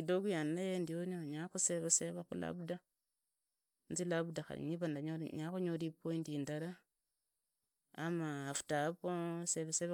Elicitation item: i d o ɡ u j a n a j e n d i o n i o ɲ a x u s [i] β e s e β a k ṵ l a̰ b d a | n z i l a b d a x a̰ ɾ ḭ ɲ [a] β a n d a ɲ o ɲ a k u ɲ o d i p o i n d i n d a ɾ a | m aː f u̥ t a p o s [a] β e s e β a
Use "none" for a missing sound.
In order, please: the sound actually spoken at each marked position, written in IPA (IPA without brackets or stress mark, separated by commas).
e, i, e